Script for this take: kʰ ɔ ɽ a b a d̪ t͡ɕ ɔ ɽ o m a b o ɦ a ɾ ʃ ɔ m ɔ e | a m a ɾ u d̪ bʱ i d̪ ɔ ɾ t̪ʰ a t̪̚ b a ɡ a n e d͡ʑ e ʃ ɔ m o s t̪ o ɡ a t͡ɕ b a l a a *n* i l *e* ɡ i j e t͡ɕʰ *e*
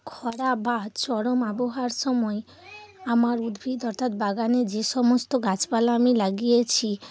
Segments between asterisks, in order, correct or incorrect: incorrect: m, incorrect: a, incorrect: i

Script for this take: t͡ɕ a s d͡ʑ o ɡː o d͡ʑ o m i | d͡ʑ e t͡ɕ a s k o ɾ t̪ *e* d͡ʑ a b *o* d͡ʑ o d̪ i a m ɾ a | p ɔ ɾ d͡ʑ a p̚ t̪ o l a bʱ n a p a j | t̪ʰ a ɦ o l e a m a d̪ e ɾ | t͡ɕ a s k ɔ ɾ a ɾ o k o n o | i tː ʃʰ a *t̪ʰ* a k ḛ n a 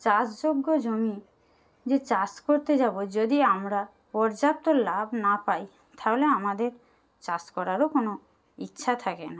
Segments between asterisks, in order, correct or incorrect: correct, correct, correct

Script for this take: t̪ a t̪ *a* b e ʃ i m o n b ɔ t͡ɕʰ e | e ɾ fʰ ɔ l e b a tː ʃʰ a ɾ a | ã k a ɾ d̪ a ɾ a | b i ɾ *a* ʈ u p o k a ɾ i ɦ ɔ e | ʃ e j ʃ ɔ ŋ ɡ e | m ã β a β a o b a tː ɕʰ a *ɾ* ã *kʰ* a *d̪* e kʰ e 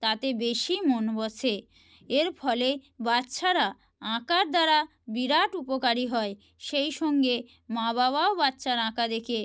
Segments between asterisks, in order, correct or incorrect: incorrect: e, correct, correct, incorrect: k, correct

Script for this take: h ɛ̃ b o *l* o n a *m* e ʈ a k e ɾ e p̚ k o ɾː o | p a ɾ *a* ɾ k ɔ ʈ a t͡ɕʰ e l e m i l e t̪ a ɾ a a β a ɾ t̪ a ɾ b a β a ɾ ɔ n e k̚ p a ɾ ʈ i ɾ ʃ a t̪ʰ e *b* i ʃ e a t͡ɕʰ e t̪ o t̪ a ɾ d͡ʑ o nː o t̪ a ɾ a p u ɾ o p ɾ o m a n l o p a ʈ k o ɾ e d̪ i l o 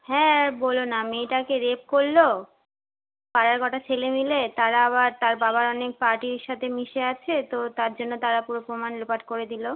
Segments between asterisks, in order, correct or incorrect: correct, correct, correct, incorrect: m

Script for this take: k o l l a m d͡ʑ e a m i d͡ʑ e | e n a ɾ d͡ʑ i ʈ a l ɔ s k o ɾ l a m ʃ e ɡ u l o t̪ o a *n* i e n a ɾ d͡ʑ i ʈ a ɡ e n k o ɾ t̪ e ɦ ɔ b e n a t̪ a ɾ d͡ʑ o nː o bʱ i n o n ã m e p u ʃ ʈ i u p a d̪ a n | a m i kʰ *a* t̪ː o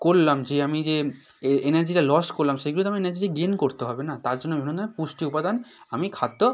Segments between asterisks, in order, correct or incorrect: incorrect: m, correct

